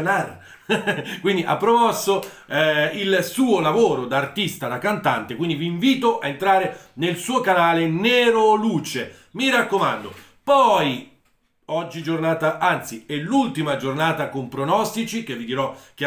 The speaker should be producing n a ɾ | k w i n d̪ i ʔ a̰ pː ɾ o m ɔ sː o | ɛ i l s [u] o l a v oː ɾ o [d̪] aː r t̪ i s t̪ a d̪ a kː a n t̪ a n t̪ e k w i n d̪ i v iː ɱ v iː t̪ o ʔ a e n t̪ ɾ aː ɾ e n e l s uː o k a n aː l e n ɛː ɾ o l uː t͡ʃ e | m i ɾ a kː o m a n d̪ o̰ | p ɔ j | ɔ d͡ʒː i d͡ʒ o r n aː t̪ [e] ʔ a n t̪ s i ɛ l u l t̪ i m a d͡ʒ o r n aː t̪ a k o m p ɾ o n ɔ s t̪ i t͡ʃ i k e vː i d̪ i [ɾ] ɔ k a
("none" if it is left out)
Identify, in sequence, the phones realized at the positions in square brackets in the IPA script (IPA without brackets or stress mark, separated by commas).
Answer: uː, d̪, a, ɾ